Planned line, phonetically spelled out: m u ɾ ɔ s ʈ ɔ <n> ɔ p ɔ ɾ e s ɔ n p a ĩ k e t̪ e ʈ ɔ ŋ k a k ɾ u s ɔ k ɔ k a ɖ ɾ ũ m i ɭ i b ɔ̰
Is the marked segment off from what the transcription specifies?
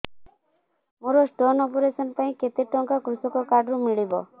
no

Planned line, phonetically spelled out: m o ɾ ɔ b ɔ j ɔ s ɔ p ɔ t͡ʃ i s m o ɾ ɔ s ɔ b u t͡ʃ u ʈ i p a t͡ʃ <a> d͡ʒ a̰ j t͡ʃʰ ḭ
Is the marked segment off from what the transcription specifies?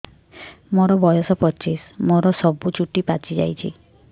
yes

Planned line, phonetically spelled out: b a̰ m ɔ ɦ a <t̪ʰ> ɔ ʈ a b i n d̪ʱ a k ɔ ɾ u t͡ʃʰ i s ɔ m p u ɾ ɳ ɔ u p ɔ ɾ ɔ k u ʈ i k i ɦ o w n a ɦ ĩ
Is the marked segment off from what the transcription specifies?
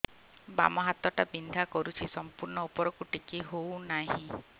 yes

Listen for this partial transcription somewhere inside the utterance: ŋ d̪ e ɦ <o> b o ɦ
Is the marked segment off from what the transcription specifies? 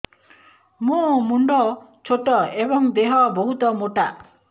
yes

